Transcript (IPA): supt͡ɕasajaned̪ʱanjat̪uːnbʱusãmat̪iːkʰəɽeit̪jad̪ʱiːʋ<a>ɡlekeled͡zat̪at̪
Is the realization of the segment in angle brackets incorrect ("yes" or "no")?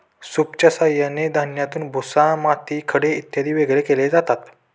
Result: yes